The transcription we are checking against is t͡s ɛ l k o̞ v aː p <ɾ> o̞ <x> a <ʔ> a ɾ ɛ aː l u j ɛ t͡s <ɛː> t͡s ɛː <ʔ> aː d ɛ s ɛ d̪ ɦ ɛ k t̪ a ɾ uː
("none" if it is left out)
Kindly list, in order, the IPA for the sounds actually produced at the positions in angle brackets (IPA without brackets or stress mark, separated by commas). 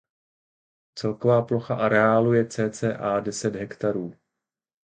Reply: l, x, ʔ, ɛː, ʔ